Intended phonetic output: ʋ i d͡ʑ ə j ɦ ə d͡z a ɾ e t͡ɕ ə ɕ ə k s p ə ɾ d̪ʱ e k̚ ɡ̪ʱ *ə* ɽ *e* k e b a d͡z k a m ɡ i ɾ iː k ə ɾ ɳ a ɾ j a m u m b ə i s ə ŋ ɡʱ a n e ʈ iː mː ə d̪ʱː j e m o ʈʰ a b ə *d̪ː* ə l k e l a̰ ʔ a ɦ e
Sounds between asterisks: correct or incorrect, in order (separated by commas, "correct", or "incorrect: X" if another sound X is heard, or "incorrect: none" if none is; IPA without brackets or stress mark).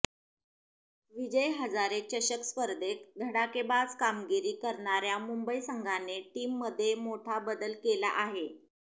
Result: correct, incorrect: a, incorrect: d̪